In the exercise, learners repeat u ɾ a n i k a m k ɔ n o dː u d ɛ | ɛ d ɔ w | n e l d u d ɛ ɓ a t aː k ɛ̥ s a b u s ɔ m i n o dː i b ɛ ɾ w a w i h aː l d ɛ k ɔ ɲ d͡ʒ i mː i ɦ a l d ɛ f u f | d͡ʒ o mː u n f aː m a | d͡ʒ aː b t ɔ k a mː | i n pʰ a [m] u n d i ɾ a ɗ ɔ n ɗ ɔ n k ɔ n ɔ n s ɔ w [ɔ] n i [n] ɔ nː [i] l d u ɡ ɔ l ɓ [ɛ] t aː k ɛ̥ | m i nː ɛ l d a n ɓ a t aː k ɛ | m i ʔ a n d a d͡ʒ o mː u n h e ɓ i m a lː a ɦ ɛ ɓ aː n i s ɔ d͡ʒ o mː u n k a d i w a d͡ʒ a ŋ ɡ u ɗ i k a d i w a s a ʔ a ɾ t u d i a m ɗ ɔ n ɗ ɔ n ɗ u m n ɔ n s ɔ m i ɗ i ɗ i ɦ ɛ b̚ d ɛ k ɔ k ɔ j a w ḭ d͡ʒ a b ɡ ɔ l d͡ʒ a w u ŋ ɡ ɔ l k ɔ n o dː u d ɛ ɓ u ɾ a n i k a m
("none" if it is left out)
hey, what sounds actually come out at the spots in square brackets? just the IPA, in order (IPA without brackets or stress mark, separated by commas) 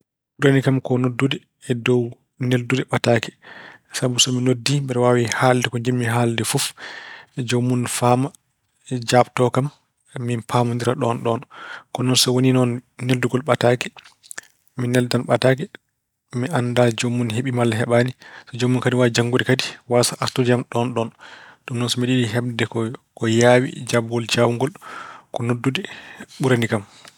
m, o, n, e, a